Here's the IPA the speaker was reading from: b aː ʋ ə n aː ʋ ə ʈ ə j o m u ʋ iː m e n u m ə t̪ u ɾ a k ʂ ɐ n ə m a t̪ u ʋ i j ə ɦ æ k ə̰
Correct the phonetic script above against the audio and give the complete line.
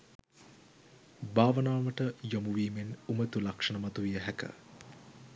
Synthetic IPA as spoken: b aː ʋ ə n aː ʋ ə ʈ ə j o m u ʋ iː m e n u m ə t̪ u l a k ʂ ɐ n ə m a t̪ u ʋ i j ə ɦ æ k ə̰